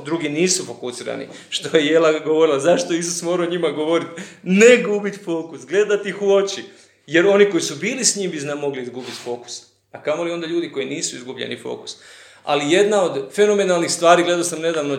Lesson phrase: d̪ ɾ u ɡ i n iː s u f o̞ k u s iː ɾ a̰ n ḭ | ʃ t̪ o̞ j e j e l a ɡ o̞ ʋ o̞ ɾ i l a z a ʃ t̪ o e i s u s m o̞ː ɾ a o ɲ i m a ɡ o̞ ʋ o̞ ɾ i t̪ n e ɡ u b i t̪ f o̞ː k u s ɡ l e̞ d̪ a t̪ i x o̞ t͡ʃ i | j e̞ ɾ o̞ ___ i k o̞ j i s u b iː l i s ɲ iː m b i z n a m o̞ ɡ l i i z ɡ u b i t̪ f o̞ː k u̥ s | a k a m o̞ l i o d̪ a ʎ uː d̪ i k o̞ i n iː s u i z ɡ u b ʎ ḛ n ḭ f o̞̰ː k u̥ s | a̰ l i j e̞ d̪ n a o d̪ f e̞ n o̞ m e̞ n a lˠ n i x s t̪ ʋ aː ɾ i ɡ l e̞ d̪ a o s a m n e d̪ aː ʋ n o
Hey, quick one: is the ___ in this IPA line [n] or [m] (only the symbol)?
n